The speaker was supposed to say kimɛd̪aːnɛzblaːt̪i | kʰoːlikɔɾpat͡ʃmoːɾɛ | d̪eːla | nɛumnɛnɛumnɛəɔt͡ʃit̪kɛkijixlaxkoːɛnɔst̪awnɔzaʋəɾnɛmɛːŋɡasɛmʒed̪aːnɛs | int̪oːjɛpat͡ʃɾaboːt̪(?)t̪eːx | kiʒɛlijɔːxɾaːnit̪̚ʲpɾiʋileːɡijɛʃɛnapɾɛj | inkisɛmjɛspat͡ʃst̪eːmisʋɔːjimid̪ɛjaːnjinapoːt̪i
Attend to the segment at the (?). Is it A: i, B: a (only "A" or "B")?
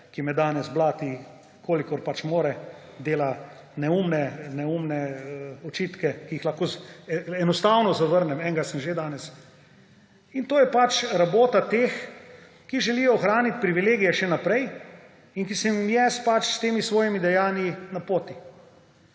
B